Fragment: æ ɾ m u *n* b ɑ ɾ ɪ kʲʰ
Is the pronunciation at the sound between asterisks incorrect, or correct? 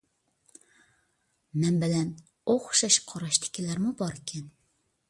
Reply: incorrect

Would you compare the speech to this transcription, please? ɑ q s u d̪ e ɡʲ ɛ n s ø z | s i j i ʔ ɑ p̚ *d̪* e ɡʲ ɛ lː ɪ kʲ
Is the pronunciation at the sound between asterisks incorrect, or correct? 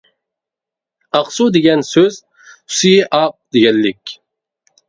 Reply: correct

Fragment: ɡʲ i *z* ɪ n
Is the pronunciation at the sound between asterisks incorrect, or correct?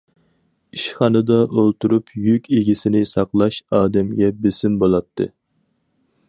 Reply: incorrect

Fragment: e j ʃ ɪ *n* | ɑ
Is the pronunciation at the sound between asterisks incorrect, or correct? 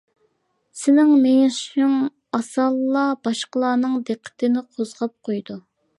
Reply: incorrect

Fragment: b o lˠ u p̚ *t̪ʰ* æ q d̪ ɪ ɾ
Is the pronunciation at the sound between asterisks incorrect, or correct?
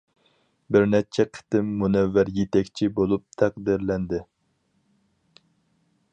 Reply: correct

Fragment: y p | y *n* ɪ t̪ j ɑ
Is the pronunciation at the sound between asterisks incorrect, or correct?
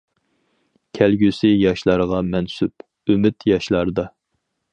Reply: incorrect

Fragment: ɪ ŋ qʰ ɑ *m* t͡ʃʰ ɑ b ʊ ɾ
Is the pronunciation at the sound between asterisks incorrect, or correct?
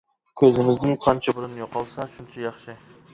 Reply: incorrect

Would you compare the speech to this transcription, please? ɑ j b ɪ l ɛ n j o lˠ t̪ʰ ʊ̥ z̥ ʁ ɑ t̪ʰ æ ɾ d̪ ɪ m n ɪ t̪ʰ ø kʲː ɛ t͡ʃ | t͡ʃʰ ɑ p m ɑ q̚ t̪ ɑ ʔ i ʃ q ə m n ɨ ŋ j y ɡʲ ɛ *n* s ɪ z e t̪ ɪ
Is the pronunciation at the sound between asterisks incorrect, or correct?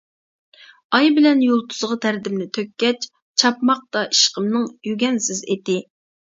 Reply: correct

